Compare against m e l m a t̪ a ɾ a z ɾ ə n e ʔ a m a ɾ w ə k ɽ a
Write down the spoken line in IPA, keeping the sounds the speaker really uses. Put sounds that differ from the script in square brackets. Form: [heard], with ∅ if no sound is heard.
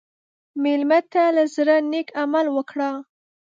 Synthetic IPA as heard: m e l m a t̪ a [l] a z ɾ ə n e [k] a m a [l] w ə k ɽ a